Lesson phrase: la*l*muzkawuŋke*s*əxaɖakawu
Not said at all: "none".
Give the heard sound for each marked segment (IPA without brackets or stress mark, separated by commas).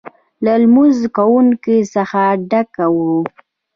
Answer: l, s